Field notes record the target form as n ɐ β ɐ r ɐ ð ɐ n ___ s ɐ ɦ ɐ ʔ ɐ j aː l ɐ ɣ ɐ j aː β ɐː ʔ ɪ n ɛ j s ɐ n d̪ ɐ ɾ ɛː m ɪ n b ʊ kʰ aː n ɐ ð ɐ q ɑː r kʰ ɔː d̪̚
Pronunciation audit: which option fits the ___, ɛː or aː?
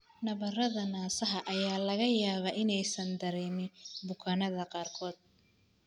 aː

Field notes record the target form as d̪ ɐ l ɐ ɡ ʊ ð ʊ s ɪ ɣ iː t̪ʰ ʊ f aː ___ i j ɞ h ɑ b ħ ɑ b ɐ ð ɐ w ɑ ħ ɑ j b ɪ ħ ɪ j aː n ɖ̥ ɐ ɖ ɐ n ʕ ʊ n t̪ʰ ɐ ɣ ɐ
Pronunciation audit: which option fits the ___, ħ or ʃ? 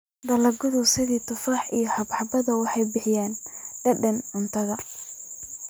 ħ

